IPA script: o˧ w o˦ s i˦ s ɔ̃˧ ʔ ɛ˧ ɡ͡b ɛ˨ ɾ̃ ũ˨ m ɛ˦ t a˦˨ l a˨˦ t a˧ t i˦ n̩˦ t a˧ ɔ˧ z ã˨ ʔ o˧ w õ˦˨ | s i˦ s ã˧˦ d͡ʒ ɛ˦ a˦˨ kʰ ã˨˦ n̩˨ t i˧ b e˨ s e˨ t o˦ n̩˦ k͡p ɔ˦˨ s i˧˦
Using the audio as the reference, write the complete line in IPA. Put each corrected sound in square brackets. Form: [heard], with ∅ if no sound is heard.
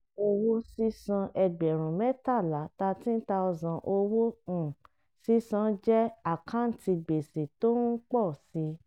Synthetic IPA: o˧ w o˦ s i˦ s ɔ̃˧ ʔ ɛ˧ ɡ͡b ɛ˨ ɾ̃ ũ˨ m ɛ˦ t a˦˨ l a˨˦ t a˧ t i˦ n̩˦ t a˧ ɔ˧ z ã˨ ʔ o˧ w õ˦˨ | s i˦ s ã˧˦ d͡ʒ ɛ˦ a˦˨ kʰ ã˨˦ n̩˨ t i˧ [ɡ͡b] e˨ s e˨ t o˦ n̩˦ k͡p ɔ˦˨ s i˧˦